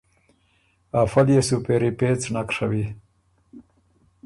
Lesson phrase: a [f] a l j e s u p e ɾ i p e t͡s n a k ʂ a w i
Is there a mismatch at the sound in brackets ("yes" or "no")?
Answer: no